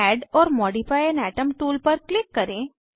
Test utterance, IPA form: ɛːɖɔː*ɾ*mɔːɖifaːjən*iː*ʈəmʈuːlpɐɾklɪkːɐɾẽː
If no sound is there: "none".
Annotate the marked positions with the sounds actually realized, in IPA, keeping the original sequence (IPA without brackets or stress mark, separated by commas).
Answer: ɾ, ɛː